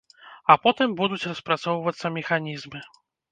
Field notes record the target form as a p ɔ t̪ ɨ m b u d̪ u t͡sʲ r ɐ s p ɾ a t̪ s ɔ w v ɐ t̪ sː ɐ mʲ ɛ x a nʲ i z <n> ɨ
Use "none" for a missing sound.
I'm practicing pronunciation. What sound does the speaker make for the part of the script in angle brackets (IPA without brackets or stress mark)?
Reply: m